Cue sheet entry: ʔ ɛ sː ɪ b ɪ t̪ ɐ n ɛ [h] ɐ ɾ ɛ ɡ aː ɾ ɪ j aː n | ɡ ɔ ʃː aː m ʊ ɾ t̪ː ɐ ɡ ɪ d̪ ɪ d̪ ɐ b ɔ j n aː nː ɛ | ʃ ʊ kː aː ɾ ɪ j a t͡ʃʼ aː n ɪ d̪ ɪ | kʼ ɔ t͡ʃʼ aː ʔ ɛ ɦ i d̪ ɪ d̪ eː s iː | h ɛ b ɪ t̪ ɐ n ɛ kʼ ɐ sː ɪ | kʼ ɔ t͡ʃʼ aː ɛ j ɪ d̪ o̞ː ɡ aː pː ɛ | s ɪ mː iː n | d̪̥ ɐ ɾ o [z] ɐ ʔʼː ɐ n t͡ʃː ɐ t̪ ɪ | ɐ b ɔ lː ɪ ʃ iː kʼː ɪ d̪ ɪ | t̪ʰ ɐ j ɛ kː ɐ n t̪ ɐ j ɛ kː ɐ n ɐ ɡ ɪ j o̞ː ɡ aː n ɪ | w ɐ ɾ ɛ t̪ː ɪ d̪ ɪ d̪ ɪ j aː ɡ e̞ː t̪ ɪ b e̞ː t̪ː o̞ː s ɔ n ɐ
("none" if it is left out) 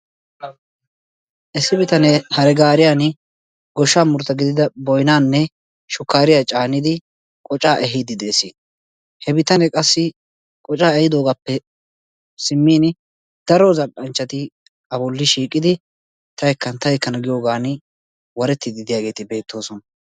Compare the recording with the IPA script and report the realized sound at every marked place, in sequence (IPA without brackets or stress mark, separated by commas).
h, z